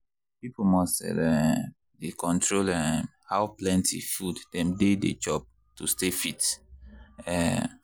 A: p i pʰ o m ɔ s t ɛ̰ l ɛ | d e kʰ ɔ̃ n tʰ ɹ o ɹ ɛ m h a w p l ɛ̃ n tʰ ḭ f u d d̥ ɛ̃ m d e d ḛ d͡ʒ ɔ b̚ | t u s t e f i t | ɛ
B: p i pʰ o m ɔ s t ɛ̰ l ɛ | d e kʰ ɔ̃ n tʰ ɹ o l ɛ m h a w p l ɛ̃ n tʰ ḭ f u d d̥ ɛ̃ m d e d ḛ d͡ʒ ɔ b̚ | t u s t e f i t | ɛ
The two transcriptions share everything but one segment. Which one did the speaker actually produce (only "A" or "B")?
B